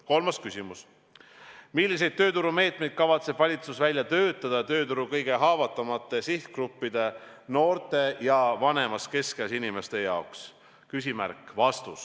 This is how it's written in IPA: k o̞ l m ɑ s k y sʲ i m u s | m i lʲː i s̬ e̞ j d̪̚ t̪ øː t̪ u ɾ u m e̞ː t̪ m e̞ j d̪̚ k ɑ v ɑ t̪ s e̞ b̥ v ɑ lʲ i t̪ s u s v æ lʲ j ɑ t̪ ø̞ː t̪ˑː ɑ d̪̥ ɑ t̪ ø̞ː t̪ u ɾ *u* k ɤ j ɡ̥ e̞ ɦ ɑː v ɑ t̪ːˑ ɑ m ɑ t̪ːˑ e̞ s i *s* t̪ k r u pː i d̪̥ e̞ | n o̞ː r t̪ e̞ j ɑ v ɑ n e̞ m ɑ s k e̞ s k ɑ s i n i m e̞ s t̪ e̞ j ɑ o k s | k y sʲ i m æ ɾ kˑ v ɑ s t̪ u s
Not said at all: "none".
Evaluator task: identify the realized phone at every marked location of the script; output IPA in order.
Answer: u, h

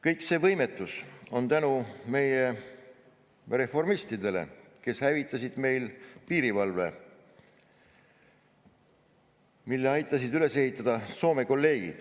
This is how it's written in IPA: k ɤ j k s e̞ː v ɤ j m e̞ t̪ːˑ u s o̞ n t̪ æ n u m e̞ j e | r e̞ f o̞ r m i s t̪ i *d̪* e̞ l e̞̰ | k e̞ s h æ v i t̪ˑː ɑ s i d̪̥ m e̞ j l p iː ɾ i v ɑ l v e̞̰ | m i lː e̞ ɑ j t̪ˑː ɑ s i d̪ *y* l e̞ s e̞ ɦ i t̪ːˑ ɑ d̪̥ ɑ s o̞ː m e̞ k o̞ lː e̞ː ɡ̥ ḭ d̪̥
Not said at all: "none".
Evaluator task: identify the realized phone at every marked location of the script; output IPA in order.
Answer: d̪, y

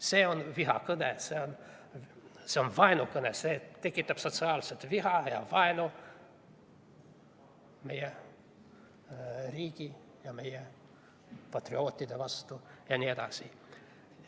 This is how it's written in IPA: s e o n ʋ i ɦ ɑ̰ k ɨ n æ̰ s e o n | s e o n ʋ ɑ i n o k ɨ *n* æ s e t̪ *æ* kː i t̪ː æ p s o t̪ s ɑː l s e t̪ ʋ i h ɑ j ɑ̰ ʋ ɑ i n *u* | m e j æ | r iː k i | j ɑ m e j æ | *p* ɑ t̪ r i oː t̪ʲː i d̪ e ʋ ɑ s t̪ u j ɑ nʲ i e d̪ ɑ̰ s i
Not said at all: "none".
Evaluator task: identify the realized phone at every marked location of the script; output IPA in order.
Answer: n, e, o, p

